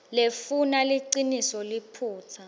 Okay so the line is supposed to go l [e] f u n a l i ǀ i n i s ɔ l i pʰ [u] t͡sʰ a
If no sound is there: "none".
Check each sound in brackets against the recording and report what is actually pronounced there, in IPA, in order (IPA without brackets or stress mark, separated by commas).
e, uː